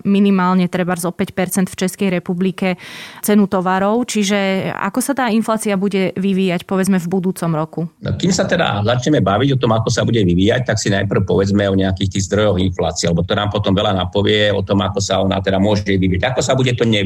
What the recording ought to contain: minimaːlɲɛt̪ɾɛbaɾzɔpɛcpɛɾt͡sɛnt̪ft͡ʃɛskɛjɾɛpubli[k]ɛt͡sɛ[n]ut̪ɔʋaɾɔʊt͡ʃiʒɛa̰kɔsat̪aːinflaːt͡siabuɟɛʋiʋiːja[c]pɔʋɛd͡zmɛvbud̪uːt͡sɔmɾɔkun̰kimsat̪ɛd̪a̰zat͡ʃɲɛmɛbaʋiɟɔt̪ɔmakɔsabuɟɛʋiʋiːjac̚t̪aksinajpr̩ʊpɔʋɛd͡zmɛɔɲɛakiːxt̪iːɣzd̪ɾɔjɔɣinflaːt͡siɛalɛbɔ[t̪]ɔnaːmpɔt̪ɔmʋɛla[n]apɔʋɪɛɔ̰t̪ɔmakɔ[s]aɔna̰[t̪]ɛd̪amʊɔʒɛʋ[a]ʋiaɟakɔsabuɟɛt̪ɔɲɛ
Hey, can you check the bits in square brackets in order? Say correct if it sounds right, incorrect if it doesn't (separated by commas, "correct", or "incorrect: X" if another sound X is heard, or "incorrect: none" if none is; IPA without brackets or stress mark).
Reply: correct, correct, correct, correct, correct, correct, correct, incorrect: i